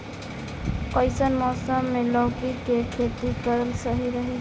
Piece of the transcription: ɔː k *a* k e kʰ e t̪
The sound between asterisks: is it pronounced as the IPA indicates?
no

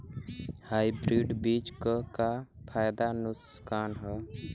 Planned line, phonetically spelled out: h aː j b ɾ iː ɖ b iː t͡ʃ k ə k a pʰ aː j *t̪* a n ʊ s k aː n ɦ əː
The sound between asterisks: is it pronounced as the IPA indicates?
no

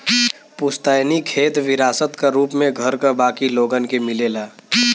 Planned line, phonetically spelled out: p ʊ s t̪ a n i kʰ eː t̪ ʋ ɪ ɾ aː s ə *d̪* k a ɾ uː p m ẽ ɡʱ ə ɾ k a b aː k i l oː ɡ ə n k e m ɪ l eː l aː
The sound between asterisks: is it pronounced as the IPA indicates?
no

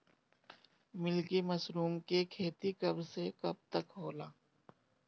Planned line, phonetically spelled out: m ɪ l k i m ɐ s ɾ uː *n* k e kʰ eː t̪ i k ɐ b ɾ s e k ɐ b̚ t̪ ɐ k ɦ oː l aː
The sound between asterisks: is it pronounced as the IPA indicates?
no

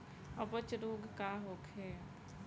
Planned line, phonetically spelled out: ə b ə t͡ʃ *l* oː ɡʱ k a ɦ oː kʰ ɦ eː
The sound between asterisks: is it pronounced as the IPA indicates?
no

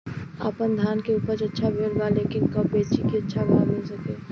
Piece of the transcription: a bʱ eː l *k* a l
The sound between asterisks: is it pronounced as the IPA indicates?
no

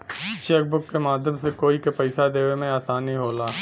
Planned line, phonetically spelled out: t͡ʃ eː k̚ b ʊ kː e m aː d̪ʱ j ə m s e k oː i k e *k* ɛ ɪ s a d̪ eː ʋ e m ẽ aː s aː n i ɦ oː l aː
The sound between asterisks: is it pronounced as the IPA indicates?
no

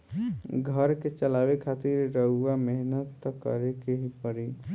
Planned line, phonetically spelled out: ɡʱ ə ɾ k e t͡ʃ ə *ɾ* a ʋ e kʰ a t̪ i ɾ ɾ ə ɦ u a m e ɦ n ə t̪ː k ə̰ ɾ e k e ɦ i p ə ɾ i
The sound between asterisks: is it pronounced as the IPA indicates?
no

